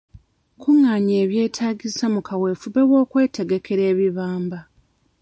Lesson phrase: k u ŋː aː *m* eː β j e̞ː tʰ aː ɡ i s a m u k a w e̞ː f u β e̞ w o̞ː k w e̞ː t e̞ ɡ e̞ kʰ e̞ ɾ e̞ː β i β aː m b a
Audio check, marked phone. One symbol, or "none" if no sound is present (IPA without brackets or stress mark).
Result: ɲ